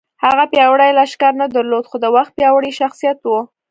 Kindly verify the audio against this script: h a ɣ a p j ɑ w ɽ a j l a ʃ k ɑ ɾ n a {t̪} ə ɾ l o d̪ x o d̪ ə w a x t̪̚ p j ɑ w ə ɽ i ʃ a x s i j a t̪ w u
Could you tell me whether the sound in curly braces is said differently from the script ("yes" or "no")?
yes